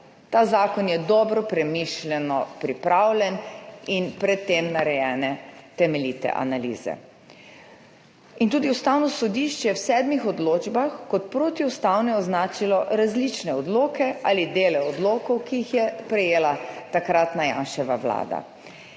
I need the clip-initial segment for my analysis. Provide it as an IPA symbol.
t̪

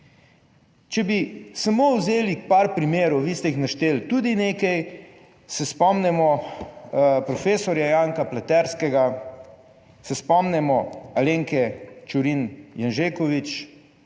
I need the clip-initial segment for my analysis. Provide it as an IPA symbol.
t͡ʃ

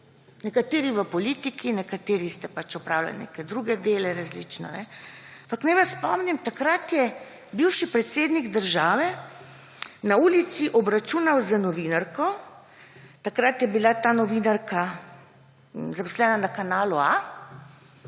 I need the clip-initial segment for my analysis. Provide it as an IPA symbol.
n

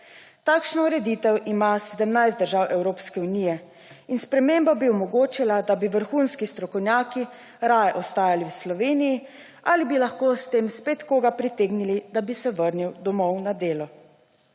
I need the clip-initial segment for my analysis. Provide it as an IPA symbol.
t̪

